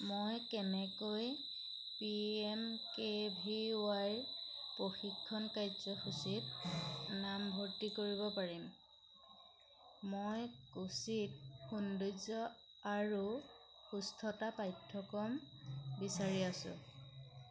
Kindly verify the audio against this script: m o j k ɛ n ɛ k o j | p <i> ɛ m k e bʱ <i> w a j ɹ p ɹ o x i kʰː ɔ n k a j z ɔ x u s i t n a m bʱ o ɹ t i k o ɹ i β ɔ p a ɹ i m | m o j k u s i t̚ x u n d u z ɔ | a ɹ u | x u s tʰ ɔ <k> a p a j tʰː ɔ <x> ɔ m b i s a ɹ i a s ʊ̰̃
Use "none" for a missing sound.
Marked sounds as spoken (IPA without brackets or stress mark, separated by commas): i, i, t, k